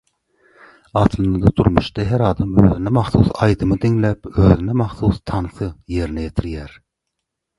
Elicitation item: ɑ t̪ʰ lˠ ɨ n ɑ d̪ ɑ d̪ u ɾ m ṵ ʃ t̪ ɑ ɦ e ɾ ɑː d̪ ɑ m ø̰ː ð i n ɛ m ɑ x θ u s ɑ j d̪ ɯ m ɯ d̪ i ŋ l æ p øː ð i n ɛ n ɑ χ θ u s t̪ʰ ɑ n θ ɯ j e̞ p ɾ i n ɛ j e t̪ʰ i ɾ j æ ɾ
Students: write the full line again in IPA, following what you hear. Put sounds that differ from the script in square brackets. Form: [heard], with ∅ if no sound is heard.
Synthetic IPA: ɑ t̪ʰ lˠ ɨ n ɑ d̪ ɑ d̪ u ɾ m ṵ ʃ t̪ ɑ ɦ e ɾ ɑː d̪ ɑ m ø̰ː ð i n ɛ m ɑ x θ u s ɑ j d̪ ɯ m ɯ d̪ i ŋ l æ p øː ð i n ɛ [m] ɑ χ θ u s t̪ʰ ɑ n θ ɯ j e̞ [∅] ɾ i n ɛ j e t̪ʰ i ɾ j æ ɾ